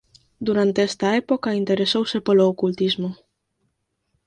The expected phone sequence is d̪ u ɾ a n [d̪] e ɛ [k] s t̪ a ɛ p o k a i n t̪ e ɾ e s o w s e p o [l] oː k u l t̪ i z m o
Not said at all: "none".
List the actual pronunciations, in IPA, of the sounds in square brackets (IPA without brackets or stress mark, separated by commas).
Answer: t̪, none, l